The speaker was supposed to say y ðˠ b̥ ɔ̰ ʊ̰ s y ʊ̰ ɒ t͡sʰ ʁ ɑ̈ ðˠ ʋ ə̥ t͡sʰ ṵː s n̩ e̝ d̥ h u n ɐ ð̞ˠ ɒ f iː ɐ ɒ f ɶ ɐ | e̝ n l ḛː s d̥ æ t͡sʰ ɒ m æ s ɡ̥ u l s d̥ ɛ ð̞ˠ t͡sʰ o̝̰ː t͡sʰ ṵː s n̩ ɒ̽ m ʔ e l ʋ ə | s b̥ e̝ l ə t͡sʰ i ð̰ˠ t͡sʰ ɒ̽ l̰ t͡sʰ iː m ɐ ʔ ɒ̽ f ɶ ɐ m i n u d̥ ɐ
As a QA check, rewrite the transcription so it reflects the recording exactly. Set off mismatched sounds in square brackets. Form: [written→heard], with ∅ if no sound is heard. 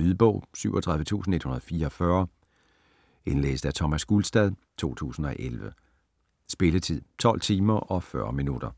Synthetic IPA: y ðˠ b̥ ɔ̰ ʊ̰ s y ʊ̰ ɒ t͡sʰ ʁ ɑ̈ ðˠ ʋ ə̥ t͡sʰ ṵː s n̩ e̝ d̥ h u n ɐ ð̞ˠ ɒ f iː ɐ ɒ f ɶ ɐ | e̝ n l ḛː s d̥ æ t͡sʰ ɒ m æ s ɡ̥ u l s d̥ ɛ ð̞ˠ t͡sʰ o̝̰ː t͡sʰ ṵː s n̩ ɒ̽ [m→∅] ʔ e l ʋ ə | s b̥ e̝ l ə t͡sʰ i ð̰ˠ t͡sʰ ɒ̽ l̰ t͡sʰ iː m ɐ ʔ ɒ̽ f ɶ ɐ m i n u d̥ ɐ